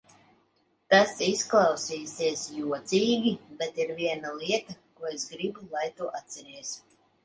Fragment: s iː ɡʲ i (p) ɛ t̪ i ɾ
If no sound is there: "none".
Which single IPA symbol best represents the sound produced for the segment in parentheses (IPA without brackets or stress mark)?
b